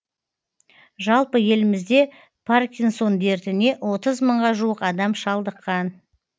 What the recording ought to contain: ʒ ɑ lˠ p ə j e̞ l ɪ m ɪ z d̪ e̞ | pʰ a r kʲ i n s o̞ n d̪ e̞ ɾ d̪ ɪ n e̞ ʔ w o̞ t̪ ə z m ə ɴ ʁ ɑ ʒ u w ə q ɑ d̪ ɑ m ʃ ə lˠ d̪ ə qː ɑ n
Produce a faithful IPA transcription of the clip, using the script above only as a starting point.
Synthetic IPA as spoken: ʒ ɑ lˠ p ə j e̞ l ɪ m ɪ z d̪ e̞ | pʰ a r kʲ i n s o̞ n d̪ e̞ ɾ t̪ ɪ n e̞ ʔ w o̞ t̪ ə z m ə ɴ ʁ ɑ ʒ u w ə q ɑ d̪ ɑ m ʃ ɑ lˠ d̪ ə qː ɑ n